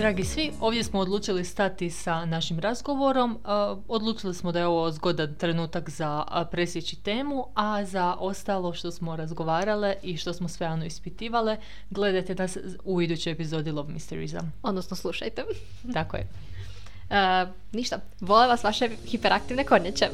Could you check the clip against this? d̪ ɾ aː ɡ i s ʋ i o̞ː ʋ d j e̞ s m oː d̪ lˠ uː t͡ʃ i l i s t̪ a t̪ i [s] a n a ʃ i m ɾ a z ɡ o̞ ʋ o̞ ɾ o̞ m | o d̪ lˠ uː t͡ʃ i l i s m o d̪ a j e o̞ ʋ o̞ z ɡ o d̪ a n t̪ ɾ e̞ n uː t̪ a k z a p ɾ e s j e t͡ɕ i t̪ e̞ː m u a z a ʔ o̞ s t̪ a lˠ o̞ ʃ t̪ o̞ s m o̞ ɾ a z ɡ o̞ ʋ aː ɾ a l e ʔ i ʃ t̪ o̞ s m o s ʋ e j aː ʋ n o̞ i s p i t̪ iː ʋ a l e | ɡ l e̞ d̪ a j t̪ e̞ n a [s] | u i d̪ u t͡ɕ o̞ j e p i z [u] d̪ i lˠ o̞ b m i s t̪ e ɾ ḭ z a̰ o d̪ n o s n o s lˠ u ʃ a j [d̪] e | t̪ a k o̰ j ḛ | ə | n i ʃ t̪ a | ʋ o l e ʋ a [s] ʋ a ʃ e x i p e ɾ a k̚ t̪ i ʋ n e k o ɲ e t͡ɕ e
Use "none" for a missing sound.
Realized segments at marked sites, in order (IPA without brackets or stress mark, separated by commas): s, s, o, t̪, s